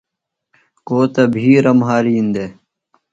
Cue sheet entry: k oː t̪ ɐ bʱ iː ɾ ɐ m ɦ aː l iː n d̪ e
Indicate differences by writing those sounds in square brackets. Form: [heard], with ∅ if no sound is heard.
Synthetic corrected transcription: k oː t̪ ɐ bʱ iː ɾ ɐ m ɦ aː [ɾ] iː n d̪ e

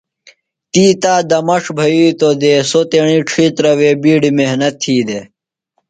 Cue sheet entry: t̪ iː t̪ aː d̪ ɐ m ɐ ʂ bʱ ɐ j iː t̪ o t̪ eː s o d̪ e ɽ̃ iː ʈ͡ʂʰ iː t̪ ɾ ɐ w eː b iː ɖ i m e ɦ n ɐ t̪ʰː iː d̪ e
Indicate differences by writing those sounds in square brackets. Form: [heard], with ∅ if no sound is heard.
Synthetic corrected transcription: t̪ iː t̪ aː d̪ ɐ m ɐ ʂ bʱ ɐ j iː t̪ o [d̪] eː s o [t̪] e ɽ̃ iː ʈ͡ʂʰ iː t̪ ɾ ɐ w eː b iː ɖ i m e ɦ n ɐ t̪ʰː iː d̪ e

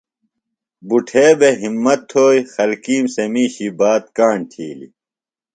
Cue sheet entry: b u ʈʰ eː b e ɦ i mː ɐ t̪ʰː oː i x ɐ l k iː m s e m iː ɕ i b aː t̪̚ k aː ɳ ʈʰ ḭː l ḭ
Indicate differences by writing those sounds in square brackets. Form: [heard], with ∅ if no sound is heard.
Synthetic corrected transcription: b u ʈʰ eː b e ɦ i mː ɐ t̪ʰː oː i x ɐ l k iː m s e m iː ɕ i b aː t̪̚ k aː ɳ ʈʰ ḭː l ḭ

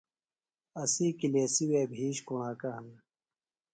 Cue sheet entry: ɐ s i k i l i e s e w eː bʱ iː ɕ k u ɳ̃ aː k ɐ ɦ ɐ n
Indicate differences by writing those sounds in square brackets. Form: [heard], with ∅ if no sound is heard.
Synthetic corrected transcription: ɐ s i k i l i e s [i] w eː bʱ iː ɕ k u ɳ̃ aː k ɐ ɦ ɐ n

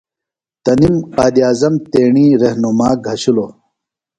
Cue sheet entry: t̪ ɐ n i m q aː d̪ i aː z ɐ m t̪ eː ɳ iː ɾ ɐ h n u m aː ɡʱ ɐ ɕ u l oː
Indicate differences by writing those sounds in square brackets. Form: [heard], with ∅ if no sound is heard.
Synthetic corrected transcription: t̪ ɐ n i m q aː d̪ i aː z ɐ m t̪ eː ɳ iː ɾ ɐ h n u m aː ɡʱ ɐ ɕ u l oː

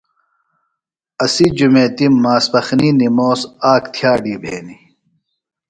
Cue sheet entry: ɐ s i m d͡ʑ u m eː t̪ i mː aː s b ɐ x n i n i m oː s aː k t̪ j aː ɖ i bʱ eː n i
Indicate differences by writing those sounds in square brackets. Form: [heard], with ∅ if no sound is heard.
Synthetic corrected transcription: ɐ s i [∅] d͡ʑ u m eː t̪ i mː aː s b ɐ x n i n i m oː s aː k [t̪ʰ] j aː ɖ i bʱ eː n i

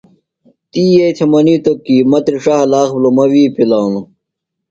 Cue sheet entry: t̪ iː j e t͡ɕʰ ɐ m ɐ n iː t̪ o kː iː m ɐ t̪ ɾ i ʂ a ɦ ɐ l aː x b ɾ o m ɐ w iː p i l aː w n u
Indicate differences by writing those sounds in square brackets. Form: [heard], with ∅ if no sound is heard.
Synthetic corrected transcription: t̪ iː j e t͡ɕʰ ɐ m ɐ n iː t̪ o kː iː m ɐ t̪ ɾ i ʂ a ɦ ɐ l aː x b [l] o m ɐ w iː p i l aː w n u

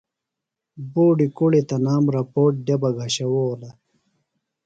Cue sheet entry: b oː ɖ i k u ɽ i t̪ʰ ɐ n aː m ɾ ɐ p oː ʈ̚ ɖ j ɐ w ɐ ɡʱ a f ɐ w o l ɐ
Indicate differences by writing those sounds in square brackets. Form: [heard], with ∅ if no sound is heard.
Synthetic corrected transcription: b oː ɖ i k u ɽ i [t̪] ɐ n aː m ɾ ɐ p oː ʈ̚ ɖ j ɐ [b] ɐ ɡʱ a [ɕ] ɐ w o l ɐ

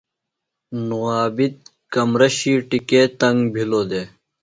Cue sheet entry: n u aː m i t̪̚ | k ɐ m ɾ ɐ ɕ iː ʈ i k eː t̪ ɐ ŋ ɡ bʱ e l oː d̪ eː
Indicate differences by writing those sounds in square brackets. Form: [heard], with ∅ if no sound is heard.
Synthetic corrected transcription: n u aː [b] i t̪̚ | k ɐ m ɾ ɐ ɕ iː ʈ i k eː t̪ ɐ ŋ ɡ bʱ [i] l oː d̪ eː

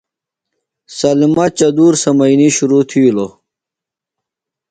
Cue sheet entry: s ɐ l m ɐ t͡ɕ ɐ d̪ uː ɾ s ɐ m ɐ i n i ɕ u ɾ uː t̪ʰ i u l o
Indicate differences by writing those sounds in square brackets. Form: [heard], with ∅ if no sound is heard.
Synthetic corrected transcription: s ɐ l m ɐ t͡ɕ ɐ d̪ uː ɾ s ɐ m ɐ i n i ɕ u ɾ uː t̪ʰ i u l o

